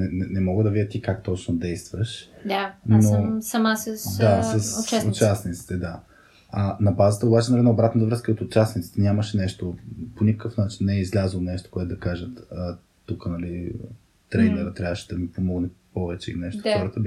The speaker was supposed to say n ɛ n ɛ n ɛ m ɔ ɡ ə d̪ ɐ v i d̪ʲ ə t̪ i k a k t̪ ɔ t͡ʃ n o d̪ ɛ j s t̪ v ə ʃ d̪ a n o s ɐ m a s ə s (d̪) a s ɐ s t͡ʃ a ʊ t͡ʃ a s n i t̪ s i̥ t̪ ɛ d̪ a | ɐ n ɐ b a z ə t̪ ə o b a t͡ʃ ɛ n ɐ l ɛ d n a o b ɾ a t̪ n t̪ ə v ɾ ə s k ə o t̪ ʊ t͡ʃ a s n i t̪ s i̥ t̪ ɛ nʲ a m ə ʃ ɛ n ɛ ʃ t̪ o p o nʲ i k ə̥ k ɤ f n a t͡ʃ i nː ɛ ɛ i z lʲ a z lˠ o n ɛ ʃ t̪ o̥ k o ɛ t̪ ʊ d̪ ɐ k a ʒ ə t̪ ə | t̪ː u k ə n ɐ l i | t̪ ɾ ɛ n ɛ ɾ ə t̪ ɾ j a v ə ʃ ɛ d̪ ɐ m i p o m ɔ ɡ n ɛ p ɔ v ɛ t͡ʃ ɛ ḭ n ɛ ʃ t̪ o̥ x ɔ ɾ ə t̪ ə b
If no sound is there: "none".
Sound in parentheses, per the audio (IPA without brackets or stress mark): d̪